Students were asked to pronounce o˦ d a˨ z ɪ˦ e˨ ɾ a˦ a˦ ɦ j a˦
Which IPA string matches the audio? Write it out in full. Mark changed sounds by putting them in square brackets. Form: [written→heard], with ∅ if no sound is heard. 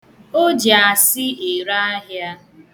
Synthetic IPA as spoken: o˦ [d→d͡ʒ] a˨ [z→s] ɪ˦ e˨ ɾ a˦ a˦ ɦ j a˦